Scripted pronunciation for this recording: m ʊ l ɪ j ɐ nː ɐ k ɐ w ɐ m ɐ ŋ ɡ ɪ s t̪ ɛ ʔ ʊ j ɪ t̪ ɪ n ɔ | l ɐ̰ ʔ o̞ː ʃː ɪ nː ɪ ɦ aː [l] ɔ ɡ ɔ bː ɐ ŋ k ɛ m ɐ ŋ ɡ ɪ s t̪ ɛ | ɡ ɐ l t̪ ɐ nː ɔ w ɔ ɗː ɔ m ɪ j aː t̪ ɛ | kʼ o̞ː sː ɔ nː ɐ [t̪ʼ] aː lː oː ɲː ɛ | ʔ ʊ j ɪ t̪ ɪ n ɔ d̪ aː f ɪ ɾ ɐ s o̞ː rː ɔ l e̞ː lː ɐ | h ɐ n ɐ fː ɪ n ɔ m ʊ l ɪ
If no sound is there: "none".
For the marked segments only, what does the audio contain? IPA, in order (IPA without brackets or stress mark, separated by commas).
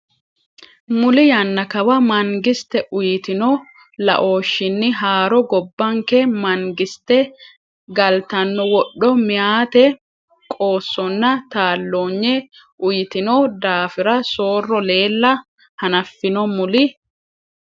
ɾ, t̪